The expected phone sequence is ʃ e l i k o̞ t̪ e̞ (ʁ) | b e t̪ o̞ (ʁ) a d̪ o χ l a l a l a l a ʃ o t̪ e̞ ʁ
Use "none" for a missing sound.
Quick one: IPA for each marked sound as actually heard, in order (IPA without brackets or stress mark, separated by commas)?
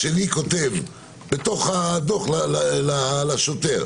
v, χ